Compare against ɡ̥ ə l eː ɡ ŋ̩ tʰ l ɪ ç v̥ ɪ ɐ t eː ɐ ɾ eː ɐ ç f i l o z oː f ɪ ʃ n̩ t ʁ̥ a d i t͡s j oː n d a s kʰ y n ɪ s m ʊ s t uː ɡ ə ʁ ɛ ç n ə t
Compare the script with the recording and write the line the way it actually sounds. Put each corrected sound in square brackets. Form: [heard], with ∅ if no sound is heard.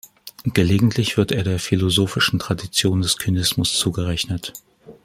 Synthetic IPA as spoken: ɡ̥ ə l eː ɡ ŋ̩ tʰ l ɪ ç v̥ ɪ ɐ t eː ɐ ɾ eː ɐ [∅] f i l o z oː f ɪ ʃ n̩ t ʁ̥ a d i t͡s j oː n d [ɛ] s kʰ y n ɪ s m ʊ s [t͡s] uː ɡ ə ʁ ɛ ç n ə t